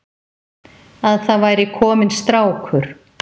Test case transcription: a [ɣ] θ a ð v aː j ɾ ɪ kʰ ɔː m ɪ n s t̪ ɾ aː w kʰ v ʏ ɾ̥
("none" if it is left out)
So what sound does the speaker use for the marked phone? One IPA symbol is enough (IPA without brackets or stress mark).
ð